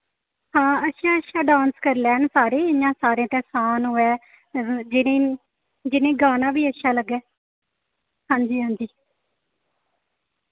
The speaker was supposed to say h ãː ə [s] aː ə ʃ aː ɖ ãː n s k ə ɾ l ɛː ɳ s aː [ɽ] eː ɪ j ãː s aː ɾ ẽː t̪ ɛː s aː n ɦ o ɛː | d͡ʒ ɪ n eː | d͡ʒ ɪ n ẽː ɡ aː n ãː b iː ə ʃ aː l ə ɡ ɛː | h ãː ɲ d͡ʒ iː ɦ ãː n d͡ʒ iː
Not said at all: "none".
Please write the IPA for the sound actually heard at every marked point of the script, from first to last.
ʃ, ɾ

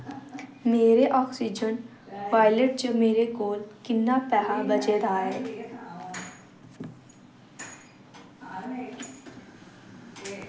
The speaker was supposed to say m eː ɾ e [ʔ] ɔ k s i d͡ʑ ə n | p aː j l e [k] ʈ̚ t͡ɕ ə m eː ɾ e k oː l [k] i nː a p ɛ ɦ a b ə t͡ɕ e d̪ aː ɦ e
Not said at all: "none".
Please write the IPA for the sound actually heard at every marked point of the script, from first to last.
ʔ, none, k

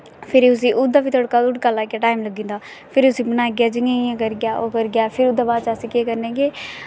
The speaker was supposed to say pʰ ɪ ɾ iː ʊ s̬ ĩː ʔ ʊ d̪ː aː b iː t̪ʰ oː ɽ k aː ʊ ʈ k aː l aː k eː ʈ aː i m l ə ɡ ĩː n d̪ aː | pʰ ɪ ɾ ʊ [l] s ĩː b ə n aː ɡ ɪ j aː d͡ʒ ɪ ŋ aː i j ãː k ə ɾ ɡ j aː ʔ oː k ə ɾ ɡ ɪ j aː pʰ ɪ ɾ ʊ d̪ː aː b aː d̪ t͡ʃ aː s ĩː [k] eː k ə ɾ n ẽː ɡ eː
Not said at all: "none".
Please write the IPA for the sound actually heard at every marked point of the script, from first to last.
none, k

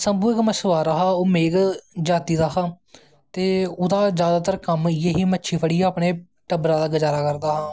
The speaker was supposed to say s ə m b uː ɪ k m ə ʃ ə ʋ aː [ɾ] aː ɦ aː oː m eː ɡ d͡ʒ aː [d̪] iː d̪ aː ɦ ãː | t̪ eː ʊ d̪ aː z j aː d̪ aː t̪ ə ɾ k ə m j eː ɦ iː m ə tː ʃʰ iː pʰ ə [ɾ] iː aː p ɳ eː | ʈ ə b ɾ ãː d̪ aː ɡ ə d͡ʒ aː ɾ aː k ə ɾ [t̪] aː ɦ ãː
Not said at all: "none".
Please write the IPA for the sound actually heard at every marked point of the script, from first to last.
ɾ, t̪, ɽ, d̪

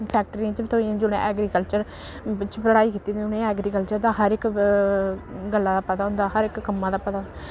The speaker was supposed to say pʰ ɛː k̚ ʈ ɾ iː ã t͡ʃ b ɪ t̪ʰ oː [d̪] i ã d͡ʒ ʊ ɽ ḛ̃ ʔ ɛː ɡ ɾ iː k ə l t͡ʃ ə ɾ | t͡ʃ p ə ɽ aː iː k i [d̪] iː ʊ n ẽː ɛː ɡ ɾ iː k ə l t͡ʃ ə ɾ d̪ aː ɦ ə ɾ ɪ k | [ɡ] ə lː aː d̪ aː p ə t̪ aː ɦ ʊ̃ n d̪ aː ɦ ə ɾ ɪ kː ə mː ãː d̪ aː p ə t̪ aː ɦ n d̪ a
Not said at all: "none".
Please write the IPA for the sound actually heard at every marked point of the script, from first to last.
none, t̪, ɡ

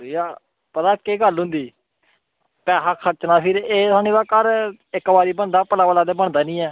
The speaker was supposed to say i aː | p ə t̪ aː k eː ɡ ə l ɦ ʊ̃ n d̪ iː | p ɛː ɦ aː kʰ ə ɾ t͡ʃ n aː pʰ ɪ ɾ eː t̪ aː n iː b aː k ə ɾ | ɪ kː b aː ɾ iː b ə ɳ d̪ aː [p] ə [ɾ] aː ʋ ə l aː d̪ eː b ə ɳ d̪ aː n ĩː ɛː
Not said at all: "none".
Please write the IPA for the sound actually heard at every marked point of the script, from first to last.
p, l

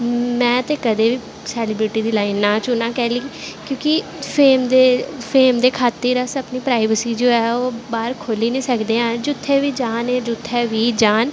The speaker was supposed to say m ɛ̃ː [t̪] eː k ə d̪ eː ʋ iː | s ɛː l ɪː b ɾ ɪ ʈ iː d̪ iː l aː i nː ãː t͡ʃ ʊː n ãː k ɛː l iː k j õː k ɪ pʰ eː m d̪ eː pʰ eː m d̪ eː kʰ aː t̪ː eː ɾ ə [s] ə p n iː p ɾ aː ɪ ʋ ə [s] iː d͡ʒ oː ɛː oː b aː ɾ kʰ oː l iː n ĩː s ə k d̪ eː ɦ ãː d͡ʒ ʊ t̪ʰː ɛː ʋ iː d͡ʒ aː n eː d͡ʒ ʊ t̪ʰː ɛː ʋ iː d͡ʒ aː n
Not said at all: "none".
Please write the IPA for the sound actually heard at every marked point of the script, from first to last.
t̪, s, s

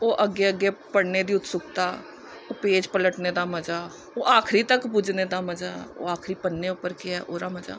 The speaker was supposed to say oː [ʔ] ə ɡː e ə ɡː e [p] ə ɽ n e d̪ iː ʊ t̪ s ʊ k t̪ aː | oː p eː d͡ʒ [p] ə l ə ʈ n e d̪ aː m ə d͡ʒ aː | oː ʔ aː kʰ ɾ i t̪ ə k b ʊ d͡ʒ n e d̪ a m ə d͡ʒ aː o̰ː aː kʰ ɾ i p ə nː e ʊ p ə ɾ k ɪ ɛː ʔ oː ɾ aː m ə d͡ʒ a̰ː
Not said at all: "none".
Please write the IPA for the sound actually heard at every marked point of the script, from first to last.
ʔ, p, p

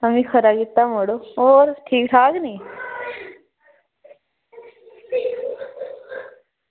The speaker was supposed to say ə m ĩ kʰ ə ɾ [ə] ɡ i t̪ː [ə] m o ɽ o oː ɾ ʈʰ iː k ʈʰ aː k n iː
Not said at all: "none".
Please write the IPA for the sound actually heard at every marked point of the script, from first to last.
a, a

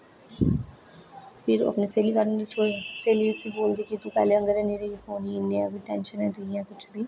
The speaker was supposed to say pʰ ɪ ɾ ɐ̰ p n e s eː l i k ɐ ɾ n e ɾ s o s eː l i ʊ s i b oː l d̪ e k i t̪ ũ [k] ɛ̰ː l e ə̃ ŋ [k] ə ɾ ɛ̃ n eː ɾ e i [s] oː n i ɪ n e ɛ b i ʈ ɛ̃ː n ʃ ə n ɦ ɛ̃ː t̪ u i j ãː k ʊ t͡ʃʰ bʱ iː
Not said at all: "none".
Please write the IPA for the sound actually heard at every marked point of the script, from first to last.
p, ɡ, s

